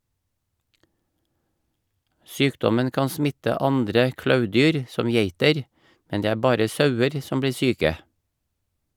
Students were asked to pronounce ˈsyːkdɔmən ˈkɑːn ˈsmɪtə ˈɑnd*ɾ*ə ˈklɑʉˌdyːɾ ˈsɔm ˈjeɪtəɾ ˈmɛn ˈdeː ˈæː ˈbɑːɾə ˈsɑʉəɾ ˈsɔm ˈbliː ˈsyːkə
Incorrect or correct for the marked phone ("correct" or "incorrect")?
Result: correct